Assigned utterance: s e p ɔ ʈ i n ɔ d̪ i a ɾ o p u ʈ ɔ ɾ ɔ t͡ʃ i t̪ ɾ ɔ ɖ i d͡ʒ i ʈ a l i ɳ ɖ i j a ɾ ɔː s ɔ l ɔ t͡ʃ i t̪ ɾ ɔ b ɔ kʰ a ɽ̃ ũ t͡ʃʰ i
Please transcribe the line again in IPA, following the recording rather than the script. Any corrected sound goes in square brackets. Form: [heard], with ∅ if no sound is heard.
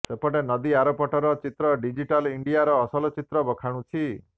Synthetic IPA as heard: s e p ɔ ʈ [e] n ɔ d̪ i a ɾ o p [ɔ] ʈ ɔ ɾ ɔ t͡ʃ i t̪ ɾ ɔ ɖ i d͡ʒ i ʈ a l i ɳ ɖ i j a ɾ ɔː s ɔ l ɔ t͡ʃ i t̪ ɾ ɔ b ɔ kʰ a ɽ̃ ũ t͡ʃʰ i

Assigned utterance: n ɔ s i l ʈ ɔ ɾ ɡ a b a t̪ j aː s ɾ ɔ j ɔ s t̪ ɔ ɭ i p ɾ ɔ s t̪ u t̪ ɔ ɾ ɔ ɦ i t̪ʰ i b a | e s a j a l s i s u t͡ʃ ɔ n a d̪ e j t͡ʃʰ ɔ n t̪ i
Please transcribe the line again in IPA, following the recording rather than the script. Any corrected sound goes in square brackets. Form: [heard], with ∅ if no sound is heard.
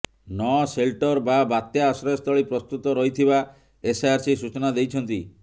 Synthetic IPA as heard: n ɔ s [e] l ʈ ɔ ɾ [b] a b a t̪ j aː s ɾ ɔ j ɔ s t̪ ɔ ɭ i p ɾ ɔ s t̪ u t̪ ɔ ɾ ɔ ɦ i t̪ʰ i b a | e s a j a [ɾ] s i s u t͡ʃ ɔ n a d̪ e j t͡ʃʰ ɔ n t̪ i

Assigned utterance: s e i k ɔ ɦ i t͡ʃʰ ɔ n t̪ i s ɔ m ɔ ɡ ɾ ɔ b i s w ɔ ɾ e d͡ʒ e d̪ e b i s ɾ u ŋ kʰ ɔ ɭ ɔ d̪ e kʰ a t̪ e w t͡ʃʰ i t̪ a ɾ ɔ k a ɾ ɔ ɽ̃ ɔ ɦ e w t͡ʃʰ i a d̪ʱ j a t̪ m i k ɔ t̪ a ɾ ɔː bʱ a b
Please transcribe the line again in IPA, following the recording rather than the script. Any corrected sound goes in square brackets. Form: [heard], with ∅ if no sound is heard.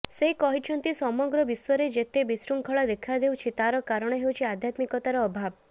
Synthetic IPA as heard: s e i k ɔ ɦ i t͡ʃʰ ɔ n t̪ i s ɔ m ɔ ɡ ɾ ɔ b i s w ɔ ɾ e d͡ʒ e [t̪] e b i s ɾ u ŋ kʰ ɔ ɭ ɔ d̪ e kʰ a [d̪] e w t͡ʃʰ i t̪ a ɾ ɔ k a ɾ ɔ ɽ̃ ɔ ɦ e w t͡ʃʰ i a d̪ʱ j a t̪ m i k ɔ t̪ a ɾ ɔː bʱ a b

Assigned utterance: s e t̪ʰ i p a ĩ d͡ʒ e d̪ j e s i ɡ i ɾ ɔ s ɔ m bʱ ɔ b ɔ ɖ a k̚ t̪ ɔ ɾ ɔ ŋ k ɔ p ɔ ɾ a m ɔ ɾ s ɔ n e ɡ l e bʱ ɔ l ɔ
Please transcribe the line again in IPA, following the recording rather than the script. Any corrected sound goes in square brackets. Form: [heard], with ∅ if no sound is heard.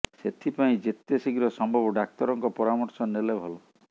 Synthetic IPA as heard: s e t̪ʰ i p a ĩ d͡ʒ e [t̪] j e s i ɡ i ɾ ɔ s ɔ m bʱ ɔ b ɔ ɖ a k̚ t̪ ɔ ɾ ɔ ŋ k ɔ p ɔ ɾ a m ɔ ɾ s ɔ n e [∅] l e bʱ ɔ l ɔ

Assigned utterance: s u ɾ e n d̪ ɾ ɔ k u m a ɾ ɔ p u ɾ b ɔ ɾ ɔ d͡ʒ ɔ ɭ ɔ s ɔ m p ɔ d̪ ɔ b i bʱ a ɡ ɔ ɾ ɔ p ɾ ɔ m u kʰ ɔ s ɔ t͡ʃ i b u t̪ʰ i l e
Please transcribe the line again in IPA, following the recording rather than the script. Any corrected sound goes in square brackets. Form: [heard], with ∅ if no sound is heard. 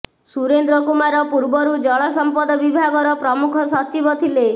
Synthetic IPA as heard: s u ɾ e n d̪ ɾ ɔ k u m a ɾ ɔ p u ɾ b ɔ ɾ [u] d͡ʒ ɔ ɭ ɔ s ɔ m p ɔ d̪ ɔ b i bʱ a ɡ ɔ ɾ ɔ p ɾ ɔ m u kʰ ɔ s ɔ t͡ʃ i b [ɔ] t̪ʰ i l e

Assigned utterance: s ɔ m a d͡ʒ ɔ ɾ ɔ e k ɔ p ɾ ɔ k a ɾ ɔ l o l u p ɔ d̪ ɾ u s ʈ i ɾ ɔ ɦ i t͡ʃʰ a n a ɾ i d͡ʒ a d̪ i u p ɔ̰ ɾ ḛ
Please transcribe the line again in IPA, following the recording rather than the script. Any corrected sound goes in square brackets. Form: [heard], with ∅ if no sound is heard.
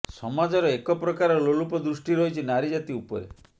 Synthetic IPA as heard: s ɔ m a d͡ʒ ɔ ɾ ɔ e k ɔ p ɾ ɔ k a ɾ ɔ l o l u p ɔ d̪ ɾ u s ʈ i ɾ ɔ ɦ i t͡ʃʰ [i] n a ɾ i d͡ʒ a [t̪] i u p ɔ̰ ɾ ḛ

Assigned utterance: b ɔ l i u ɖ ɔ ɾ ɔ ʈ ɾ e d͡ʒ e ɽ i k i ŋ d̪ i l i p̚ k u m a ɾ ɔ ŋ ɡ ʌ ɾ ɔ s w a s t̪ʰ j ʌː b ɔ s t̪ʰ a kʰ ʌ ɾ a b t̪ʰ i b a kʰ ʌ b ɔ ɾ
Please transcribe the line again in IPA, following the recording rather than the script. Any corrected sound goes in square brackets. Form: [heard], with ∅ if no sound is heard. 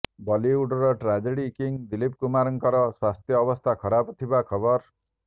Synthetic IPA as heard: b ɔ l i u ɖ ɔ ɾ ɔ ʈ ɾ [a] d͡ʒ e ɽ i k i ŋ d̪ i l i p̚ k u m a ɾ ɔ ŋ [k] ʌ ɾ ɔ s w a s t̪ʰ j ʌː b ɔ s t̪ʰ a kʰ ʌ ɾ a b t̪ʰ i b a kʰ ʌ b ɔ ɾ

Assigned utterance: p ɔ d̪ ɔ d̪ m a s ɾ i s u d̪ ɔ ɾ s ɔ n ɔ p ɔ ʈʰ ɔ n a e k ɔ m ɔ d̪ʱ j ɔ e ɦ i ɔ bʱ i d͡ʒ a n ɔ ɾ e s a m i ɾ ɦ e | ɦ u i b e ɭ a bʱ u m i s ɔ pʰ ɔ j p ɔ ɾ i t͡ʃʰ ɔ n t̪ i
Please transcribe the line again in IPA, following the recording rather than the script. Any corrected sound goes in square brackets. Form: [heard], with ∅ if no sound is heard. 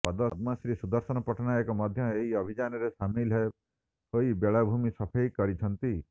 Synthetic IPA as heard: p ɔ d̪ ɔ d̪ m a s ɾ i s u d̪ ɔ ɾ s ɔ n ɔ p ɔ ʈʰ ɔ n a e k ɔ m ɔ d̪ʱ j ɔ e ɦ i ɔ bʱ i d͡ʒ a n ɔ ɾ e s a m i [l] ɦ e | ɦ [o] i b e ɭ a bʱ u m i s ɔ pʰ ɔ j [k] ɔ ɾ i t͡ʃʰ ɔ n t̪ i

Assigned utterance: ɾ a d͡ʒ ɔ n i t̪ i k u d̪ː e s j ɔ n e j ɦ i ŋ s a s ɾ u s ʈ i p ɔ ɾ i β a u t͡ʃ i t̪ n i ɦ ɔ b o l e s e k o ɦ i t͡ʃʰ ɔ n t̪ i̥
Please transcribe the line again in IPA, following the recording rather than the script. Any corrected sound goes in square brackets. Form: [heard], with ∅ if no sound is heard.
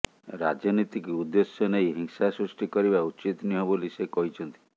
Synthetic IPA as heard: ɾ a d͡ʒ ɔ n i t̪ i k u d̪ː e s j ɔ n e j ɦ i ŋ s a s ɾ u s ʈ i [k] ɔ ɾ i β a u t͡ʃ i t̪ n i ɦ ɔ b o l [i] s e k [ɔ] ɦ i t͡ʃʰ ɔ n t̪ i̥

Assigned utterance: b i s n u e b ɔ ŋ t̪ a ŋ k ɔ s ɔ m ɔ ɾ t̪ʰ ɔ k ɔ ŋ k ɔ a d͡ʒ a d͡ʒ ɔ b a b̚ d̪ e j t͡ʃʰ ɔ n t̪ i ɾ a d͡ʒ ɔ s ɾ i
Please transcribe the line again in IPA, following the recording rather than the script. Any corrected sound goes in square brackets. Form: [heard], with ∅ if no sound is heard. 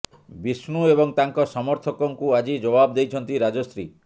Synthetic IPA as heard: b i s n u e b ɔ ŋ t̪ a ŋ k ɔ s ɔ m ɔ ɾ t̪ʰ ɔ k ɔ ŋ k [u] a d͡ʒ [i] d͡ʒ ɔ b a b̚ d̪ e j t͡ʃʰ ɔ n t̪ i ɾ a d͡ʒ ɔ s ɾ i

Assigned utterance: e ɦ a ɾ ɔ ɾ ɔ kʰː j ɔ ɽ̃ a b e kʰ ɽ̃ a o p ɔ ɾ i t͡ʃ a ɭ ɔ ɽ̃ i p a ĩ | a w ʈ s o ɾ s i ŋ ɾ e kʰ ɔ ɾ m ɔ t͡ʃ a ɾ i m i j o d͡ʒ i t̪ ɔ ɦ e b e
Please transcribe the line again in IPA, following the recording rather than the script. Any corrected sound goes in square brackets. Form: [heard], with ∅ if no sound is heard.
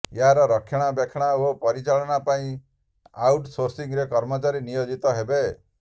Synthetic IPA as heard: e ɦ a ɾ ɔ ɾ ɔ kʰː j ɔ ɽ̃ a b e kʰ ɽ̃ a o p ɔ ɾ i t͡ʃ a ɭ ɔ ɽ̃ [a] p a ĩ | a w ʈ s o ɾ s i ŋ ɾ e [k] ɔ ɾ m ɔ t͡ʃ a ɾ i [n] i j o d͡ʒ i t̪ ɔ ɦ e b e

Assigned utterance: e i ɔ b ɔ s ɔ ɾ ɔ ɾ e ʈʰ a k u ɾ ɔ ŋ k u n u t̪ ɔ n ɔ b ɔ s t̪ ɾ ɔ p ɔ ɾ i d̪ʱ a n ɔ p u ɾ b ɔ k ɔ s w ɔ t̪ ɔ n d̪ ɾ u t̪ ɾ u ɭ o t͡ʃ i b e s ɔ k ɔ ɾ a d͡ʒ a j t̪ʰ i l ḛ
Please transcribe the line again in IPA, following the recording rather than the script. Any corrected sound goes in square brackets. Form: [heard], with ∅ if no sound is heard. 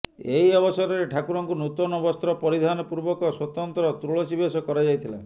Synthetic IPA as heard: e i ɔ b ɔ s ɔ ɾ ɔ ɾ e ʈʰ a k u ɾ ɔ ŋ k u n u t̪ ɔ n ɔ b ɔ s t̪ ɾ ɔ p ɔ ɾ i d̪ʱ a n ɔ p u ɾ b ɔ k ɔ s w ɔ t̪ ɔ n [t̪] ɾ [ɔ] t̪ ɾ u ɭ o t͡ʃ i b e s ɔ k ɔ ɾ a d͡ʒ a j t̪ʰ i l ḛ

